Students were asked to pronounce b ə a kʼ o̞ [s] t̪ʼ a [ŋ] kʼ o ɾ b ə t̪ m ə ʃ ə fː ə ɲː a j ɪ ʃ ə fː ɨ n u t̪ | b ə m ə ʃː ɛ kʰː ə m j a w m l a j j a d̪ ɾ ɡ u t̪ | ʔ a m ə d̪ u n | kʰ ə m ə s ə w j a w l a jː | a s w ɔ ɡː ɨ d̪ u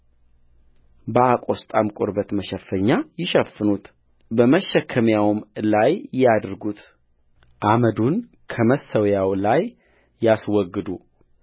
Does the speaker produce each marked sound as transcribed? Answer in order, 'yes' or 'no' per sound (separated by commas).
yes, no